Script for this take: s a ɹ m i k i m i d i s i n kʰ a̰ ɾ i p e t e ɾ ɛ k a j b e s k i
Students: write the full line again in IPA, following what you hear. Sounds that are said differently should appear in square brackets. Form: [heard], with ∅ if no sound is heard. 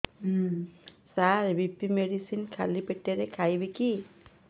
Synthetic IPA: s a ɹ [b] i [p] i m [e] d i s i n kʰ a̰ [l] i p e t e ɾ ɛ [kʰ] a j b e [∅] k i